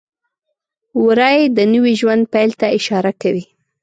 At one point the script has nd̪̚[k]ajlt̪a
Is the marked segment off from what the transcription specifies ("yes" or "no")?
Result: yes